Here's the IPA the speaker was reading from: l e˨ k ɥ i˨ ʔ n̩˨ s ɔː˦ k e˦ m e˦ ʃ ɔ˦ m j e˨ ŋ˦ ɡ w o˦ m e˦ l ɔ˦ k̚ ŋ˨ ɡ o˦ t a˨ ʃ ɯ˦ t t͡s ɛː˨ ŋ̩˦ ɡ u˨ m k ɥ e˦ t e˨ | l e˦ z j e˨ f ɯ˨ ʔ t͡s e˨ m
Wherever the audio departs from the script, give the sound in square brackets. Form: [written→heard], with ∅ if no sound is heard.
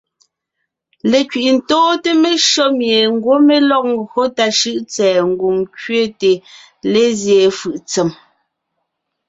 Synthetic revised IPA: l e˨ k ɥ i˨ ʔ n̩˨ [s→t] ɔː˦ [k→t] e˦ m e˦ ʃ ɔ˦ m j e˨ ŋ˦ ɡ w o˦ m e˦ l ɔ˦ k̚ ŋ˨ ɡ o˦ t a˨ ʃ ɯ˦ [t→ʔ] t͡s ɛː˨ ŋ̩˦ ɡ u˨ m k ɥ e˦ t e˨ | l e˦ z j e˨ f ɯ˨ ʔ t͡s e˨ m